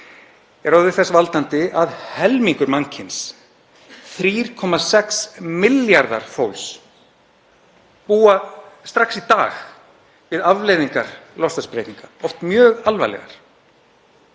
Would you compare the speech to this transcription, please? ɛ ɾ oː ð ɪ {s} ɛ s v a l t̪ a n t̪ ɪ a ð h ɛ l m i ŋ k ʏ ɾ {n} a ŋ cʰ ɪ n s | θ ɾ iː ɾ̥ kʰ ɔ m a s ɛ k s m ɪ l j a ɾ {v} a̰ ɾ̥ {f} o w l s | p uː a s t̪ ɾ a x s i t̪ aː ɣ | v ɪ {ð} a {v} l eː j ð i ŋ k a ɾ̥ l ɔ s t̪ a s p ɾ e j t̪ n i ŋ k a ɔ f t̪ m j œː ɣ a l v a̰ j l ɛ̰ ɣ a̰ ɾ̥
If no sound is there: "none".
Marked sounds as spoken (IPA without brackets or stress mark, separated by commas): θ, m, ð, f, ð, v